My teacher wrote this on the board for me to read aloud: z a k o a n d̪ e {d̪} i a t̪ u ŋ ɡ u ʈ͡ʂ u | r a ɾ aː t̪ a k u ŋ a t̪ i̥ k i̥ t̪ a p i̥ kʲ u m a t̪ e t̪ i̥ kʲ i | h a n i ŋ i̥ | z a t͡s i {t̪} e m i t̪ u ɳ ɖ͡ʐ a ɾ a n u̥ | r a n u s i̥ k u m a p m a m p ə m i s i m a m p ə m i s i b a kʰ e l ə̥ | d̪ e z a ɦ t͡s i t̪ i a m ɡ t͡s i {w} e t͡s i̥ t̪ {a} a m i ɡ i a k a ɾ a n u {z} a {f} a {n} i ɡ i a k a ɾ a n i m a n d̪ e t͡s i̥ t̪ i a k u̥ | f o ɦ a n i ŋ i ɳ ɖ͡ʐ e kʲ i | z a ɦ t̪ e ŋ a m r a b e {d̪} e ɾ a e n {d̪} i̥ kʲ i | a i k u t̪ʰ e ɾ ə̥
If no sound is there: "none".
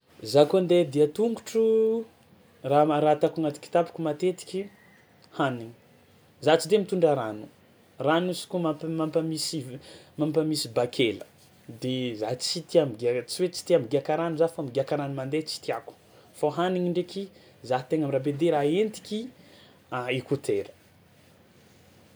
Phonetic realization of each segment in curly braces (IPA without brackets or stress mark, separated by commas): d̪, d̪, w, i, z, f, m, d̪, t̪